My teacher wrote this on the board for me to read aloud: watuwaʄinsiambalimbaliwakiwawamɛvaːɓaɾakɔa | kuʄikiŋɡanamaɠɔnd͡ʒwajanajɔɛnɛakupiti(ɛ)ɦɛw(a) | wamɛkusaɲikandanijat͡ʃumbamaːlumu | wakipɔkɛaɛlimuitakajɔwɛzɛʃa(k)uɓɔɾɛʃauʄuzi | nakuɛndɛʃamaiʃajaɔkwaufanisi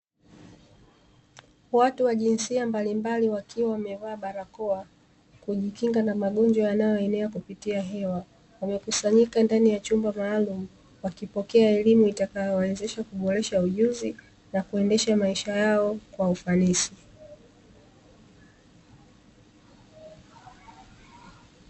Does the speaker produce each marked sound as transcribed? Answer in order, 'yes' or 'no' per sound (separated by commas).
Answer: no, yes, yes